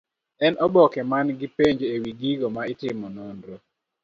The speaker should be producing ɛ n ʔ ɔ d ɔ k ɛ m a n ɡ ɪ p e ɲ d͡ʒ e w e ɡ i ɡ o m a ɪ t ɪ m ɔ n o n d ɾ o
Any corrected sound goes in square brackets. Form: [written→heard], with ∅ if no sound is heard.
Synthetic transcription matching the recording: ɛ n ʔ ɔ [d→b] ɔ k ɛ m a n ɡ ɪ p e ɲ d͡ʒ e w [e→i] ɡ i ɡ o m a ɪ t ɪ m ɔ n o n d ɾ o